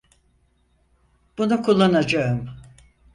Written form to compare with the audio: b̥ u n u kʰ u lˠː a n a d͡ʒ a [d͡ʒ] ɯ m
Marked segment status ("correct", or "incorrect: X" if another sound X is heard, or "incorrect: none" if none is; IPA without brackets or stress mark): incorrect: none